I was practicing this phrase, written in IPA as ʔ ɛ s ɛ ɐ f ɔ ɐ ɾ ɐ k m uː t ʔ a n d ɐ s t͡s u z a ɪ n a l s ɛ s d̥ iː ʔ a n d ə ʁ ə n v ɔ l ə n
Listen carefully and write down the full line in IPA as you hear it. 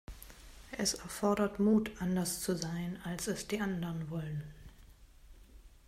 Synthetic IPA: ʔ ɛ s ɛ ɐ f ɔ ɐ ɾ ɐ t m uː t ʔ a n d ɐ s t͡s u z a ɪ n a l s ɛ s d̥ iː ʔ a n d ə ʁ ə n v ɔ l ə n